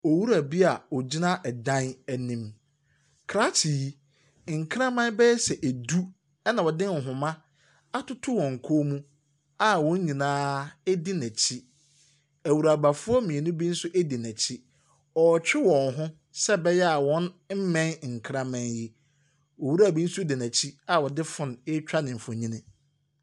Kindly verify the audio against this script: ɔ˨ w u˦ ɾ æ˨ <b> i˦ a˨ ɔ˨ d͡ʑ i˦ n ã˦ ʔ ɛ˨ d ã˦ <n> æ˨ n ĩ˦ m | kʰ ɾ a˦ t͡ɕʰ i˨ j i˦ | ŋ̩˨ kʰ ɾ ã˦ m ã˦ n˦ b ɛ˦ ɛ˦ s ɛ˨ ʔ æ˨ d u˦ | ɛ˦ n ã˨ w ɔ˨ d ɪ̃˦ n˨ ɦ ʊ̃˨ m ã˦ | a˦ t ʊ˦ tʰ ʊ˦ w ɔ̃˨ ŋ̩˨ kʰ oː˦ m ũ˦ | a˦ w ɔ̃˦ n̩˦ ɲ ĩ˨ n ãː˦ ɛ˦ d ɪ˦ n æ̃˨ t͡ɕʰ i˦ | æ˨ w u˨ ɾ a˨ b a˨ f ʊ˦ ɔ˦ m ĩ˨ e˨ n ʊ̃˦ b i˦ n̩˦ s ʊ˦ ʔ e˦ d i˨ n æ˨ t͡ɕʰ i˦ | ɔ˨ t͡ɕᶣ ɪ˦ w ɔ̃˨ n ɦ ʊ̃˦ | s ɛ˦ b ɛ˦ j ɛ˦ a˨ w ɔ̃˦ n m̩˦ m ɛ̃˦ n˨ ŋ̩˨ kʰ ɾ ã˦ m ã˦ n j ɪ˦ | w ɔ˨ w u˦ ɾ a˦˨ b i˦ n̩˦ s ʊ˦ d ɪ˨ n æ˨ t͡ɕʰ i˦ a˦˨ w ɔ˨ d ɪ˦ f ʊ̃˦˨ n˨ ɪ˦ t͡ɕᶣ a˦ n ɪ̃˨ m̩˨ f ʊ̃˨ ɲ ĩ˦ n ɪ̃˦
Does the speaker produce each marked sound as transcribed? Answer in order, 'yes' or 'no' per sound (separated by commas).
yes, yes